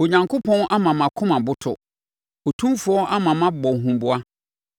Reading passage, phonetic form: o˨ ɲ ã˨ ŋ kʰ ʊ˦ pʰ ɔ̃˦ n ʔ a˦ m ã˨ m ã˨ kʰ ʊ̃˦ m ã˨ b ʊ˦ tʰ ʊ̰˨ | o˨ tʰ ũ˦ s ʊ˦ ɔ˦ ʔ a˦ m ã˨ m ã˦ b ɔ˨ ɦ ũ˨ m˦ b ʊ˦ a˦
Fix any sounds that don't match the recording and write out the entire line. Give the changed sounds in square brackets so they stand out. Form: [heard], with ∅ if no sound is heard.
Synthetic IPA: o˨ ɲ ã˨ ŋ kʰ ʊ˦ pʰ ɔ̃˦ n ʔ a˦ m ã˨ m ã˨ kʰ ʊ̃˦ m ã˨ b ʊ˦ tʰ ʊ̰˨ | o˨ tʰ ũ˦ [f] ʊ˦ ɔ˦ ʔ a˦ m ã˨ m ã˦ b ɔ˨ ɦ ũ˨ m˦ b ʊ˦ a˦